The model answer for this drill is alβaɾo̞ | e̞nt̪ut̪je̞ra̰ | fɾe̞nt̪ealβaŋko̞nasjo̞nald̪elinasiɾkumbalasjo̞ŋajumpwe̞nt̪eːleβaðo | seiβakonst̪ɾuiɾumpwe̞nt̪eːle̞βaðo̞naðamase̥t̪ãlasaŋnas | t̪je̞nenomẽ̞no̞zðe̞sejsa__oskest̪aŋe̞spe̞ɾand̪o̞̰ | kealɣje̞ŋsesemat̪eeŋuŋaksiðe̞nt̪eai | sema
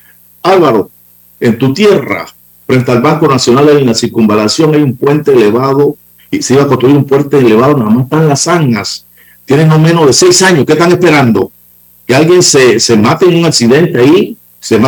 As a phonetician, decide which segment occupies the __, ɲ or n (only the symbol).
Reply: ɲ